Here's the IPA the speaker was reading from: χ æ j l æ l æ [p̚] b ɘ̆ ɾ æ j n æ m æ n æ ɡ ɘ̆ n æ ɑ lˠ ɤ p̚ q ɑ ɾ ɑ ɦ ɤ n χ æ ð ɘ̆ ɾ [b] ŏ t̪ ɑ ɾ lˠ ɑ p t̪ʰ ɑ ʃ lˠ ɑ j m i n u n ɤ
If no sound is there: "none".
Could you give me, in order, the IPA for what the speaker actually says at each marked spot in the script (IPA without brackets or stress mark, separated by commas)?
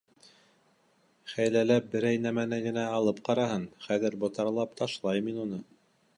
p̚, b